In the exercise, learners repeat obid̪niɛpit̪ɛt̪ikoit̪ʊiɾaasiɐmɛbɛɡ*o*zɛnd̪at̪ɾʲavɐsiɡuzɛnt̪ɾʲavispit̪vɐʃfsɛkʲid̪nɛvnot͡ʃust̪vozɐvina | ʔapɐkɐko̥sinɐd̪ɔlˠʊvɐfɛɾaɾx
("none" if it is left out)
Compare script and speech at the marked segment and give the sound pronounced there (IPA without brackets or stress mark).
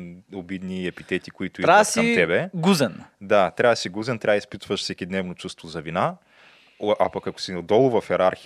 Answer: u